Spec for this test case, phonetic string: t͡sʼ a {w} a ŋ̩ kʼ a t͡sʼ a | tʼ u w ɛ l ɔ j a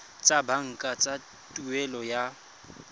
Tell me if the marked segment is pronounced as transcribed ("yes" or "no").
no